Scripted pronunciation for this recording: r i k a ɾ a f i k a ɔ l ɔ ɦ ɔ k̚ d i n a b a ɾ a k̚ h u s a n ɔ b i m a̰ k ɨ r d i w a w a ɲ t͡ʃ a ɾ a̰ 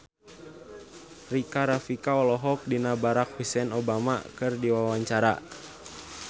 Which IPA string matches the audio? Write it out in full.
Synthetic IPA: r i k a ɾ a f i k a ɔ l ɔ ɦ ɔ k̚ d i n a b a ɾ a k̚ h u s ɛ n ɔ b a m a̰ k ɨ r d i w a w a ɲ t͡ʃ a ɾ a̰